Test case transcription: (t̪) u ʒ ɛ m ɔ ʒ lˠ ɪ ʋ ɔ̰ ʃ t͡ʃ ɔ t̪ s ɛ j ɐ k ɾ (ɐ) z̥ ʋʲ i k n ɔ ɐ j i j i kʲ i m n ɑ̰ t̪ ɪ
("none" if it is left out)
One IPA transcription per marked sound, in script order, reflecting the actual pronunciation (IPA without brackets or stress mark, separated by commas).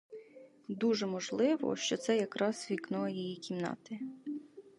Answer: d̪, ɑ